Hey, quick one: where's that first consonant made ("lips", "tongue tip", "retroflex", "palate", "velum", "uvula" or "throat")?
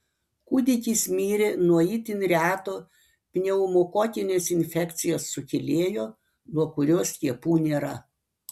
velum